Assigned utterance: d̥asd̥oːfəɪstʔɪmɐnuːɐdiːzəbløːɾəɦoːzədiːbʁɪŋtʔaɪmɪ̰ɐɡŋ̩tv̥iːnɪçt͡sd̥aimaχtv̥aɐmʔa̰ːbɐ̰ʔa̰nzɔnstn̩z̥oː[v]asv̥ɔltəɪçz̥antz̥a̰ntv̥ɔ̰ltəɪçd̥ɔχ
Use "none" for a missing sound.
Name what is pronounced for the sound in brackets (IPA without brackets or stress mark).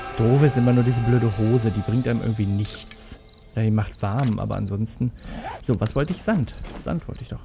v